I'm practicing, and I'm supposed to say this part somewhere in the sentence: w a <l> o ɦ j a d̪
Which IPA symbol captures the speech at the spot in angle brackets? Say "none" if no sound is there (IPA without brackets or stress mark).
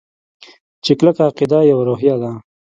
ɾ